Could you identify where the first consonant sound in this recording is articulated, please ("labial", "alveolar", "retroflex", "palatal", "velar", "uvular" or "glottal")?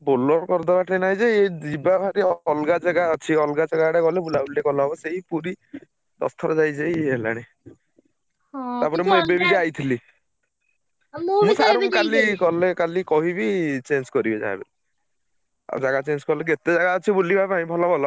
labial